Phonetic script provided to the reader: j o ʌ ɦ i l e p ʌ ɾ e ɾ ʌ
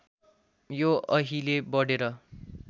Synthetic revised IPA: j o ʌ ɦ i l e b ʌ ɽ e ɾ ʌ